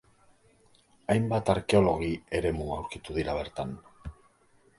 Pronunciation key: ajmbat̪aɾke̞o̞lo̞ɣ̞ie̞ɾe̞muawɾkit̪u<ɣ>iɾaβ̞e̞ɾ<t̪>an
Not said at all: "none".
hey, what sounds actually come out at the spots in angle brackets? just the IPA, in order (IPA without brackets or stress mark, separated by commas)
ð, t̪